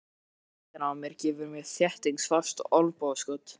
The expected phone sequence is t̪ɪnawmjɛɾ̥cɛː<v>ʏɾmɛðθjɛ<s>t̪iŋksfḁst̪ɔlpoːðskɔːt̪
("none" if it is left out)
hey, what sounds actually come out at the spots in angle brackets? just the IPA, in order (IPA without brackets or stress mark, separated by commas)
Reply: v, h